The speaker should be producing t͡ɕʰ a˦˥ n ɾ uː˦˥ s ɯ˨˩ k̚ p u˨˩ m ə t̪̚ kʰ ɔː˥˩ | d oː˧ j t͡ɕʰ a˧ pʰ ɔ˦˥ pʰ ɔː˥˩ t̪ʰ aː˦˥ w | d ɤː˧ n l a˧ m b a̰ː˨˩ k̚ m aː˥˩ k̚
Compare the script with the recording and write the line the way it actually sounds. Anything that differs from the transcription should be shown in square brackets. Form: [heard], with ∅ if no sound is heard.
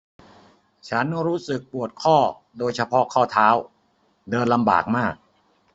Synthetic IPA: t͡ɕʰ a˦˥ n ɾ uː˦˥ s ɯ˨˩ k̚ p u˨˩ [∅] ə t̪̚ kʰ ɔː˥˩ | d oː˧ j t͡ɕʰ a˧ pʰ ɔ˦˥ [kʰ] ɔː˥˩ t̪ʰ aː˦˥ w | d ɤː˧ n l a˧ m b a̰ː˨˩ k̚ m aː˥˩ k̚